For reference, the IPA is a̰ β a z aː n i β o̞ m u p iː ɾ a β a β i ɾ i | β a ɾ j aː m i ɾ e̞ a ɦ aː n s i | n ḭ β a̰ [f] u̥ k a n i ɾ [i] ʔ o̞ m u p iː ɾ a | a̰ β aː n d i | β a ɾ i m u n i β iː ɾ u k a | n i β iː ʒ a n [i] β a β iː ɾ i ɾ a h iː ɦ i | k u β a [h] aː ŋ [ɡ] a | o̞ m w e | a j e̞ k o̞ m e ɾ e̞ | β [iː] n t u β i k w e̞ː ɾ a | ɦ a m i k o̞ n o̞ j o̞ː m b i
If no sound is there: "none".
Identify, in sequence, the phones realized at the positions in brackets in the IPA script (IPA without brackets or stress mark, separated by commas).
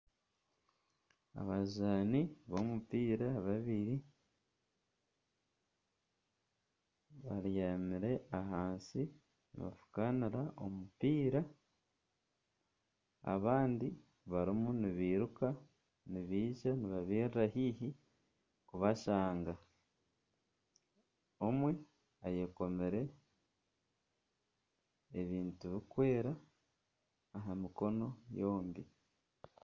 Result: f, a, i, ʃ, ɡ, iː